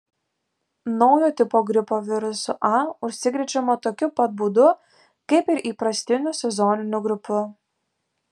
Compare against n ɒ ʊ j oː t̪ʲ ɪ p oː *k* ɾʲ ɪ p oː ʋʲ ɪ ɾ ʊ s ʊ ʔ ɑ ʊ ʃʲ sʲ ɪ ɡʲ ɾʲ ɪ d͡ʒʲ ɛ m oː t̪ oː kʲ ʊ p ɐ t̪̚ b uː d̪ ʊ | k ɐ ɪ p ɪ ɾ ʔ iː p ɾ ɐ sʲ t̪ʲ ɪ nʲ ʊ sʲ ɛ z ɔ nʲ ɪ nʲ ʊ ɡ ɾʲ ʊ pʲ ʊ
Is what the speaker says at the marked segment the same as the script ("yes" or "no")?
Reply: no